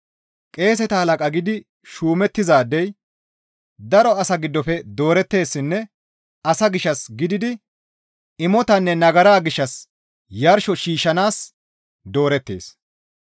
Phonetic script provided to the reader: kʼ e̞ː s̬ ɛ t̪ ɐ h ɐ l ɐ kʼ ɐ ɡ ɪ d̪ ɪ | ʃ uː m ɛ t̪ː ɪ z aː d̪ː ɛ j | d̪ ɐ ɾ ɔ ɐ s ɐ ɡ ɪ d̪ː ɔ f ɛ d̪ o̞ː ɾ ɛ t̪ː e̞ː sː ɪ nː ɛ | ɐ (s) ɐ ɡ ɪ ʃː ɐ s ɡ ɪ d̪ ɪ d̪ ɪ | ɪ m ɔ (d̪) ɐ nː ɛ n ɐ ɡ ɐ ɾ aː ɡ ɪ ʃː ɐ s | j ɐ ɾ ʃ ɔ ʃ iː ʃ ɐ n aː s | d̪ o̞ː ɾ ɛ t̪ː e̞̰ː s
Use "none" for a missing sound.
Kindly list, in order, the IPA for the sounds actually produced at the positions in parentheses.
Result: s, t̪

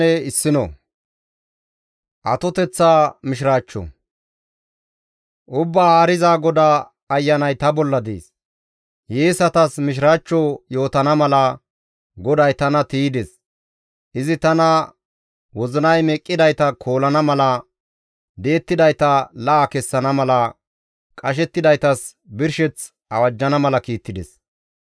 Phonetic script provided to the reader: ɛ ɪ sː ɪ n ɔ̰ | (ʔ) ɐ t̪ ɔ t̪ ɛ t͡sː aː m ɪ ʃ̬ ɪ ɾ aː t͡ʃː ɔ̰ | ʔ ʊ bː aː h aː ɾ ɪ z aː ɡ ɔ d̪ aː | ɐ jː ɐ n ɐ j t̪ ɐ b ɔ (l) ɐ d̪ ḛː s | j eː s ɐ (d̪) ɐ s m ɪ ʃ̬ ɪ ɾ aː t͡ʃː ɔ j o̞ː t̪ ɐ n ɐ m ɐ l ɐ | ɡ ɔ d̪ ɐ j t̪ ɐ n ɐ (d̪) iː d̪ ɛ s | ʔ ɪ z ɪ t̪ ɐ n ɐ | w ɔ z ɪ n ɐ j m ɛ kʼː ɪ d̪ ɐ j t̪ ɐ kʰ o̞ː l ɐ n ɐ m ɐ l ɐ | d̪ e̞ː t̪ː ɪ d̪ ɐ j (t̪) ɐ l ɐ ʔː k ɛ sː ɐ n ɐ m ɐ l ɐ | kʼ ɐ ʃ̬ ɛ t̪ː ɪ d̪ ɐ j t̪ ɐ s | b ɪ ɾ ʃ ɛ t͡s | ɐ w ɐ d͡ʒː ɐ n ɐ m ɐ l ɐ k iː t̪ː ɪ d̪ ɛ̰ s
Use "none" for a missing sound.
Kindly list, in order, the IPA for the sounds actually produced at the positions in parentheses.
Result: ʔ, lː, t̪, t̪, t̪

